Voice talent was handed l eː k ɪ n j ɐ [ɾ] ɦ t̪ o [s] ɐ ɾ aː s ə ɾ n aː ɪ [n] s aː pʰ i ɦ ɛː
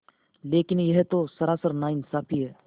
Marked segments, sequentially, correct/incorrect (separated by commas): incorrect, correct, correct